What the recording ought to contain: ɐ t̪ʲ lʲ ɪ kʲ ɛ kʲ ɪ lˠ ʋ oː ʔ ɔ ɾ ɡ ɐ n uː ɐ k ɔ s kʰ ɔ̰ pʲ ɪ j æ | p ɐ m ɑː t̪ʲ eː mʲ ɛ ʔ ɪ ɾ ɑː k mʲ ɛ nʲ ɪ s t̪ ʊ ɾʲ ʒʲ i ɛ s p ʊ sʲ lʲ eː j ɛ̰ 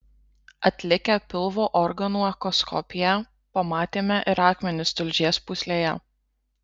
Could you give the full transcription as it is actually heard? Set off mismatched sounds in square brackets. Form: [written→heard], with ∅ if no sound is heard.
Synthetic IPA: ɐ t̪ʲ lʲ ɪ kʲ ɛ [kʲ→pʲ] ɪ lˠ ʋ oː ʔ ɔ ɾ ɡ ɐ n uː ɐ k ɔ s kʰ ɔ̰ pʲ ɪ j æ | p ɐ m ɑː t̪ʲ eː mʲ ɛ ʔ ɪ ɾ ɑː k mʲ ɛ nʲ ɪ s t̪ ʊ [ɾʲ→lʲ] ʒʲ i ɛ s p ʊ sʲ lʲ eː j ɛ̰